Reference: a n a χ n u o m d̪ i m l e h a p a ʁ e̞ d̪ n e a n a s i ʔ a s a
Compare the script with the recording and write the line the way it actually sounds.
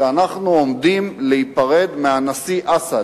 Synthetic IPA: a n a χ n u o m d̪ i m l e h i p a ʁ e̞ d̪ m e a n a s i ʔ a s a